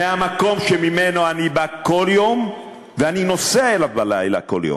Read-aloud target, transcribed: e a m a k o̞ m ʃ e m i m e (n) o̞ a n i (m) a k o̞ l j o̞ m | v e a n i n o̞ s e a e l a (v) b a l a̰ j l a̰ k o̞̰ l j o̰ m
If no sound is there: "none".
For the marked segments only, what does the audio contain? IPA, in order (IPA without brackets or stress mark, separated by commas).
n, b, v